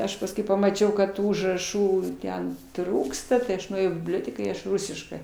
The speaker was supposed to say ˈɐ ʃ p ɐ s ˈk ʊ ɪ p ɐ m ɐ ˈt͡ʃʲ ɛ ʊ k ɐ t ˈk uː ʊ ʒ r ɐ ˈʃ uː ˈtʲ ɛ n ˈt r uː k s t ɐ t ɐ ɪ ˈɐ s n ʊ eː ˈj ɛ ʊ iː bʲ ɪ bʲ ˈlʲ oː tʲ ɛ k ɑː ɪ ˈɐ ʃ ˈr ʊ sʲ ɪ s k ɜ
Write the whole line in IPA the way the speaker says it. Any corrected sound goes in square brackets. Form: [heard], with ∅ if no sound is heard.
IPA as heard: ˈɐ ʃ p ɐ s ˈk ʊ ɪ p ɐ m ɐ ˈt͡ʃʲ ɛ ʊ k ɐ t [ˈt] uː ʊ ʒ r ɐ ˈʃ uː ˈtʲ ɛ n ˈt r uː k s t ɐ t ɐ ɪ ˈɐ [ʃ] n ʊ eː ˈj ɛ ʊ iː bʲ ɪ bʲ ˈlʲ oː tʲ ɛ k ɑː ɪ ˈɐ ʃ ˈr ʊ sʲ ɪ [ʃ] k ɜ